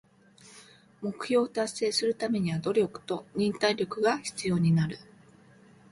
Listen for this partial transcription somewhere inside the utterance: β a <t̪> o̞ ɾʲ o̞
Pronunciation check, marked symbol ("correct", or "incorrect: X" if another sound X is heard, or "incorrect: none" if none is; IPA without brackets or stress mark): incorrect: d̪